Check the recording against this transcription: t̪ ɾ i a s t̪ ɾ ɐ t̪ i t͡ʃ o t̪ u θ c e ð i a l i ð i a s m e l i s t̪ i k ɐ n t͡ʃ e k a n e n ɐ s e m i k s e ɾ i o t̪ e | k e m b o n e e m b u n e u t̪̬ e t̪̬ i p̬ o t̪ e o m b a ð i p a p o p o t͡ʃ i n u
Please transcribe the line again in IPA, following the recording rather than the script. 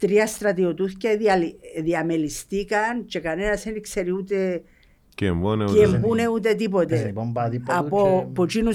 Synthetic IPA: t̪ ɾ i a s t̪ ɾ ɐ t̪ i o t̪ u θ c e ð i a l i ð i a m e l i s t̪ i k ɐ n t͡ʃ e k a n e n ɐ s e n i k s e ɾ i u t̪ e | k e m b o n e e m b u n e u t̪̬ e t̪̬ i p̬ o t̪ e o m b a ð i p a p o p o t͡ʃ i n u